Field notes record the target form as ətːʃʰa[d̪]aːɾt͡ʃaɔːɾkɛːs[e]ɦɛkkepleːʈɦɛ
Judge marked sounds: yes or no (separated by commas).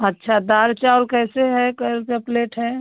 yes, yes